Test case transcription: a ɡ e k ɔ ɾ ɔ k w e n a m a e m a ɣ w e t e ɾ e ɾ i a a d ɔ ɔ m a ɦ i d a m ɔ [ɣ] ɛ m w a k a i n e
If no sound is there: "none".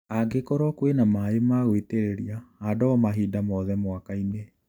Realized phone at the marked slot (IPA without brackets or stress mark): ð